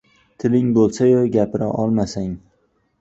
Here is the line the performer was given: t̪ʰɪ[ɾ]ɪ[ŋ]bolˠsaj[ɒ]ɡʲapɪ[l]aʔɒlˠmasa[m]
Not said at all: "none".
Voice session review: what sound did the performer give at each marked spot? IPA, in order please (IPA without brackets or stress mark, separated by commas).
l, ŋ, o, ɾ, ŋ